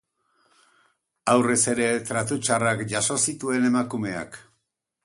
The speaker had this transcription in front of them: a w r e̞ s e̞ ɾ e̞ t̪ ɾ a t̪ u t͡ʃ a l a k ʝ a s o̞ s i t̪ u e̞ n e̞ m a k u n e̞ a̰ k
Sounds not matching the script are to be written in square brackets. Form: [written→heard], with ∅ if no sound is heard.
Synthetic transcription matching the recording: a w r e̞ s e̞ ɾ e̞ t̪ ɾ a t̪ u t͡ʃ a [l→r] a k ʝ a s o̞ s i t̪ u e̞ n e̞ m a k u [n→m] e̞ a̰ k